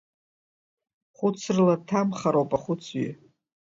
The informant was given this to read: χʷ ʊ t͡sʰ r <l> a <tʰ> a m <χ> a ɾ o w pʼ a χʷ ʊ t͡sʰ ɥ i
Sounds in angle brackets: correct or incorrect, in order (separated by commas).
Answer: correct, correct, correct